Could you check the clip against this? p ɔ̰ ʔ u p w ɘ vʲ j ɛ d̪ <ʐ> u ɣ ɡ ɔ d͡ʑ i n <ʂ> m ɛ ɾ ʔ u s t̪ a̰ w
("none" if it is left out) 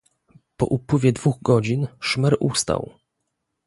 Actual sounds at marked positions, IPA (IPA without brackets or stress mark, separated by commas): v, ʂ